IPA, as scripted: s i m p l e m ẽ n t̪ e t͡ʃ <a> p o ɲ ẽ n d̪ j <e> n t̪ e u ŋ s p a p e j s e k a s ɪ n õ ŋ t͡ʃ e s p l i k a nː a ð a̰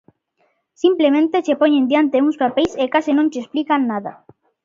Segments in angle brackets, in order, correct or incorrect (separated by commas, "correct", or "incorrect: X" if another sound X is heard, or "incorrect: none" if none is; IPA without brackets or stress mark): incorrect: e, incorrect: a